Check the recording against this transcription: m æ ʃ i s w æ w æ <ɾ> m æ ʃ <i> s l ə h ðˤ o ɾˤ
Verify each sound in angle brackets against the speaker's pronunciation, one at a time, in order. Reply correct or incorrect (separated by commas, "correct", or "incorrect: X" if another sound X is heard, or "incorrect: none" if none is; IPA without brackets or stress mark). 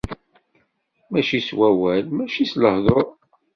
incorrect: l, correct